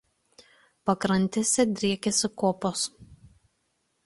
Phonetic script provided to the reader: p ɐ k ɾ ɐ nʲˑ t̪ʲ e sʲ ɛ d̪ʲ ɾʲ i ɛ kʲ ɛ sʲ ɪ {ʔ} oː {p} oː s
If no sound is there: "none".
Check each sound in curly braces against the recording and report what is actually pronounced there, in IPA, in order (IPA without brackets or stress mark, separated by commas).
k, p